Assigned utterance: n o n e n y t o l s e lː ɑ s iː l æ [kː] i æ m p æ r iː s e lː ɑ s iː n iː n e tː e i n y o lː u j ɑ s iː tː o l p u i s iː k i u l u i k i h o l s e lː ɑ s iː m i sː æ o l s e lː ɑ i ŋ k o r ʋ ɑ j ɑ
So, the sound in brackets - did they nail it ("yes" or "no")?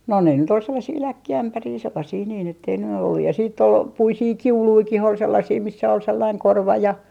yes